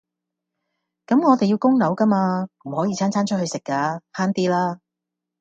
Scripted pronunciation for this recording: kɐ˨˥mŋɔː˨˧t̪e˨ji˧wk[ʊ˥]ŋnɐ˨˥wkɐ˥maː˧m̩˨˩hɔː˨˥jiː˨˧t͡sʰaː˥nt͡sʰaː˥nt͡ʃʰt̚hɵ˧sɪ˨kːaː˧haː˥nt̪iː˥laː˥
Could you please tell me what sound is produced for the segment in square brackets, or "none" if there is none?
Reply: ʊ˥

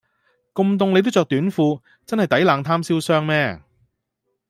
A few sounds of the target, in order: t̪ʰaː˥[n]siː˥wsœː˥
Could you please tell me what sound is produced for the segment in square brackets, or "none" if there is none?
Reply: m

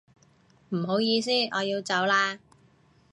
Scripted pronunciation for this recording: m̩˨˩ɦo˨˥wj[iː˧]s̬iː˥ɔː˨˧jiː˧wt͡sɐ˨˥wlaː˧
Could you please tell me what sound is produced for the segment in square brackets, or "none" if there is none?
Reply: iː˧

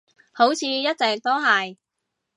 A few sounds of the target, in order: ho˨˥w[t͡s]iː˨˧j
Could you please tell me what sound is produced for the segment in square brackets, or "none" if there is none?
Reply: t͡sʰ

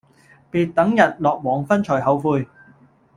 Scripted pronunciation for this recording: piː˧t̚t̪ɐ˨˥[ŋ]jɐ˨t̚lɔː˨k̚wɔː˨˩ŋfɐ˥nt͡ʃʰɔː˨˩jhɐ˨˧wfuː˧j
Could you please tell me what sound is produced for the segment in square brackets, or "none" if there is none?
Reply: ŋ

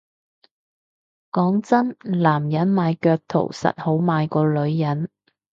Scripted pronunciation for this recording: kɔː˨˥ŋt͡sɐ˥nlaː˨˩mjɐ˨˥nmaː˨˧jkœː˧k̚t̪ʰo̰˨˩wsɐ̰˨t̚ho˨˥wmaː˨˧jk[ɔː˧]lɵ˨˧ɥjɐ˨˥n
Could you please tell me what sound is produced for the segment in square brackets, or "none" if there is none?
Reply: ɔː˧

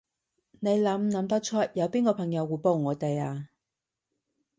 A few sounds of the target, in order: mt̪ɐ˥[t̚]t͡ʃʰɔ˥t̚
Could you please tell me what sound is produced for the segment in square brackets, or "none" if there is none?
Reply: k̚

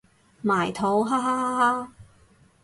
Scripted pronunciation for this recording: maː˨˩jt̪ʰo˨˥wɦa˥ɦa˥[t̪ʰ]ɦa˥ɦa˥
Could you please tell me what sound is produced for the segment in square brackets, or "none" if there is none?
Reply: none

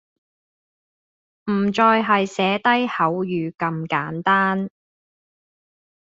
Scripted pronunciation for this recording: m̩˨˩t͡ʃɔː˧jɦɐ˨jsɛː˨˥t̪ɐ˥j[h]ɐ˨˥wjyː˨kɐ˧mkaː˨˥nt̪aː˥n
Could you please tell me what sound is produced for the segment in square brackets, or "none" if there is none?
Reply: h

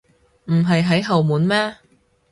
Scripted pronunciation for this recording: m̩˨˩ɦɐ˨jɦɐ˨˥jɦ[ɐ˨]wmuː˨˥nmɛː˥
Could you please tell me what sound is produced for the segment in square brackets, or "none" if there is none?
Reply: ɐ˨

